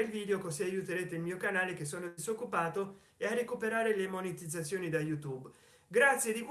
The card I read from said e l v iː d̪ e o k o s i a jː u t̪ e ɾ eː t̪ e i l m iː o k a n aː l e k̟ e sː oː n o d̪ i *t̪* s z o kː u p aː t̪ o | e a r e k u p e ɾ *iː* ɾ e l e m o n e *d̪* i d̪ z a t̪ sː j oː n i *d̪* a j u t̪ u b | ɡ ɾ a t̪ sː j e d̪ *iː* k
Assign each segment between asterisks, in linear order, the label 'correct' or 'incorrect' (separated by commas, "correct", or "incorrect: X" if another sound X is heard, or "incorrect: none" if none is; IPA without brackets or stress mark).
incorrect: none, incorrect: aː, incorrect: t̪, correct, incorrect: i